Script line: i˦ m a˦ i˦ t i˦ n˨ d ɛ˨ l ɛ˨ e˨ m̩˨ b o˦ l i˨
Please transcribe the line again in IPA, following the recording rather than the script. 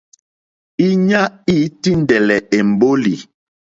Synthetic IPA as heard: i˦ ɲ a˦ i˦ t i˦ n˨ d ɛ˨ l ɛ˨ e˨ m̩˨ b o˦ l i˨